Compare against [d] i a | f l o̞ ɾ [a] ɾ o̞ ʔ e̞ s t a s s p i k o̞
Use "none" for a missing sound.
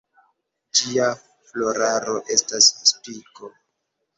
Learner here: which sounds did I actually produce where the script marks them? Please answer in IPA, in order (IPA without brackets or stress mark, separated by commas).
d͡ʒ, a